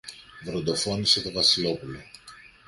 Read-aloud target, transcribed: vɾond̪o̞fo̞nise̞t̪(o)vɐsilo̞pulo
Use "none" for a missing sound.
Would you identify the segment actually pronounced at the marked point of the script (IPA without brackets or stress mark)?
o